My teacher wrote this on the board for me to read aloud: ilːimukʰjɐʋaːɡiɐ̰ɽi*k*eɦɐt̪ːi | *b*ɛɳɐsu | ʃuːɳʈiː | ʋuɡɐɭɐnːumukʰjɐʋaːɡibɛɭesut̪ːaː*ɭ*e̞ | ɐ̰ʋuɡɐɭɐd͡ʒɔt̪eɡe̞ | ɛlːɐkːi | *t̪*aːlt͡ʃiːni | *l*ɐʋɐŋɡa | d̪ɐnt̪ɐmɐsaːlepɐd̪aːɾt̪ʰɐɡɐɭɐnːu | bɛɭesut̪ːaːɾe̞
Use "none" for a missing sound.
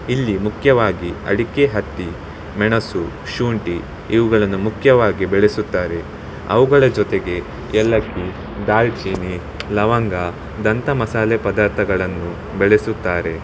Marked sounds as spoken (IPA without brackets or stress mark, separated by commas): k, m, ɾ, d̪, l